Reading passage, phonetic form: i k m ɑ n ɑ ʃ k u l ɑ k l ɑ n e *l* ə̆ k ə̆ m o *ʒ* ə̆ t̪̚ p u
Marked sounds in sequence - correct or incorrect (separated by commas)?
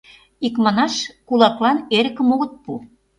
incorrect, incorrect